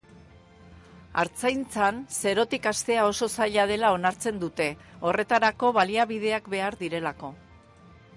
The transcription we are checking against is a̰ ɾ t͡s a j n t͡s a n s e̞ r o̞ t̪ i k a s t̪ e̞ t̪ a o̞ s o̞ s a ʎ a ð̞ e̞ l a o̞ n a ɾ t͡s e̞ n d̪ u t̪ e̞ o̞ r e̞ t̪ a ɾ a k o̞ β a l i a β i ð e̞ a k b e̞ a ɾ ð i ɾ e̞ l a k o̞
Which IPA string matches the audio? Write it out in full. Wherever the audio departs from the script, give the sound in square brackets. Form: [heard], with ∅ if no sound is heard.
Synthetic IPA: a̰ ɾ t͡s a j n t͡s a n s e̞ [ɾ] o̞ t̪ i k a s t̪ e̞ [∅] a o̞ s o̞ s a ʎ a ð̞ e̞ l a o̞ n a ɾ t͡s e̞ n d̪ u t̪ e̞ o̞ r e̞ t̪ a ɾ a k o̞ β a l i a β i ð e̞ a k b e̞ a ɾ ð i ɾ e̞ l a k o̞